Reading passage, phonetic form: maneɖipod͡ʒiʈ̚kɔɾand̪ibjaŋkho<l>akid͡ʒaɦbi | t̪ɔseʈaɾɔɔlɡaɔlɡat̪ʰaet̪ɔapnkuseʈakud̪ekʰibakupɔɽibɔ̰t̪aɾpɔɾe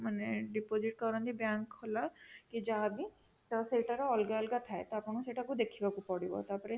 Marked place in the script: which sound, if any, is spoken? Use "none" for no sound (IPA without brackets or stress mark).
l